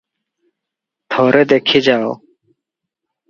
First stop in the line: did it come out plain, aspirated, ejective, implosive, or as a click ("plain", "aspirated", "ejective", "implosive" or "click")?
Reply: aspirated